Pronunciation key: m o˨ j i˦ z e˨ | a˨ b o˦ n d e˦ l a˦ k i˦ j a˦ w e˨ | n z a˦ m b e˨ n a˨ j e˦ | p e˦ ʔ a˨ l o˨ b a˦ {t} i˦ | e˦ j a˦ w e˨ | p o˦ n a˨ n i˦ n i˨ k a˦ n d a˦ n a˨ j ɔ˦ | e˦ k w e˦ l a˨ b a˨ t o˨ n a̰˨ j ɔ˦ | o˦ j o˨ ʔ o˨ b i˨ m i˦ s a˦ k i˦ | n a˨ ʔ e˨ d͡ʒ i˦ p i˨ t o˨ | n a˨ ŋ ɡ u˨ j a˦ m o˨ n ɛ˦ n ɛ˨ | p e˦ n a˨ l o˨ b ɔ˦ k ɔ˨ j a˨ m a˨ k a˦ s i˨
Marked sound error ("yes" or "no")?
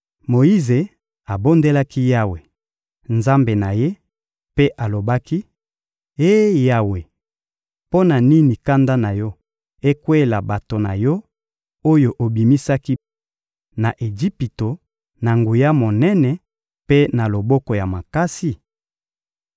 yes